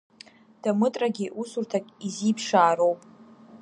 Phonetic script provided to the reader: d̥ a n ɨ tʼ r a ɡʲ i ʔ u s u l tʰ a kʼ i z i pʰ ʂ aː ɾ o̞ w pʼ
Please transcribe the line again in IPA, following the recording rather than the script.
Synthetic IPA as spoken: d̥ a m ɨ tʼ r a ɡʲ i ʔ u s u r tʰ a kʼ i z i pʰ ʂ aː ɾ o̞ w pʼ

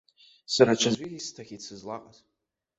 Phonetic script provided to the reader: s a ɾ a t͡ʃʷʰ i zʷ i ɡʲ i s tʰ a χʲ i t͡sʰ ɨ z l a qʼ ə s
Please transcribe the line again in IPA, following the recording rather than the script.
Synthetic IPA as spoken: s a ɾ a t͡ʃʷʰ a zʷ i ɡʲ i s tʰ a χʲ i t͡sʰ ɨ z l a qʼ a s

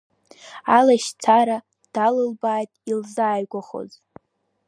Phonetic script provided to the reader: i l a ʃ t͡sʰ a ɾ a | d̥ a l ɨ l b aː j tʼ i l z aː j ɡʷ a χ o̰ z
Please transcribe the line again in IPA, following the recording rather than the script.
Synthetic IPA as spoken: a l a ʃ t͡sʰ a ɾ a | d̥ a l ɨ l b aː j tʼ i l z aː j ɡʷ a χ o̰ z

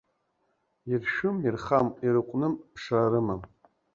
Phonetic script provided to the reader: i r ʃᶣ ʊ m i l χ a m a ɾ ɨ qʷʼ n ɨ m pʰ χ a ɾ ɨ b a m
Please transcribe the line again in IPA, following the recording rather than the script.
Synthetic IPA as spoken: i r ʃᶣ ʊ m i r χ a m i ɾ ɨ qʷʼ n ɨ m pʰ ʂ a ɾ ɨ m a m

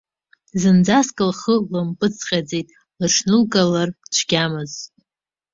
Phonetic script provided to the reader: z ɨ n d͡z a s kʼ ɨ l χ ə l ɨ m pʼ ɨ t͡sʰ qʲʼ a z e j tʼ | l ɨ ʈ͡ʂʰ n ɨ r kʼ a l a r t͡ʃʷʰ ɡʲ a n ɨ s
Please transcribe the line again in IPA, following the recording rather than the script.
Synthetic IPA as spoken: z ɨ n d͡z a s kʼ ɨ l χ ə l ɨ m pʼ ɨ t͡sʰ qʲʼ a d͡z e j tʼ | l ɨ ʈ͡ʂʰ n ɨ l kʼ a l a r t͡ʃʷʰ ɡʲ a m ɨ z

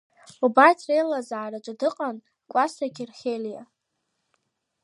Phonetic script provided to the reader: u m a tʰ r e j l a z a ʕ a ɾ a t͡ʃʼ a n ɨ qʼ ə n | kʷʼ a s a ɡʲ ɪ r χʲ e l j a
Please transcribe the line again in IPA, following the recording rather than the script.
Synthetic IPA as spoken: u b a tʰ r e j l a z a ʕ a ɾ a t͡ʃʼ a d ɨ qʼ a n | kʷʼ a s a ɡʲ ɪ r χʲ e l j a

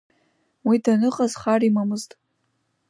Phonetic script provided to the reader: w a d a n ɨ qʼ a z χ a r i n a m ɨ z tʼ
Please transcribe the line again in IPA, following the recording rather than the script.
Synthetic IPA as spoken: w i d a n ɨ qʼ a z χ a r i m a m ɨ z tʼ

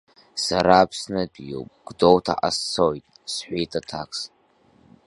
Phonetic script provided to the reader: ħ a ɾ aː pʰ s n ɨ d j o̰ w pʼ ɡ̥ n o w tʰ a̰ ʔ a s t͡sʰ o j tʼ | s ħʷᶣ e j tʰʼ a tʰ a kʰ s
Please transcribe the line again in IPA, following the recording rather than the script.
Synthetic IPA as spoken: s a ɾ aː pʰ s n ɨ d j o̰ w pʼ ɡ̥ d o w tʰ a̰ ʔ a s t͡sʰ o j tʼ | s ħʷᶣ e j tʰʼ a tʰ a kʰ s

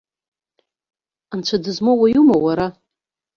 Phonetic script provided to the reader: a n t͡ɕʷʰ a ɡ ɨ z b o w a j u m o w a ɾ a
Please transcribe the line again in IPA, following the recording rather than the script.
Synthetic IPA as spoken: a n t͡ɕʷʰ a d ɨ z m o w a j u m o w a ɾ a

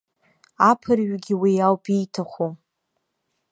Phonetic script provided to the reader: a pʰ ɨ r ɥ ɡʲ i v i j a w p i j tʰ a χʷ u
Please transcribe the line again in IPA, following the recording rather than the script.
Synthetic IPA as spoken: a pʰ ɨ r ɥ ɡʲ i w i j a w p i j tʰ a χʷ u

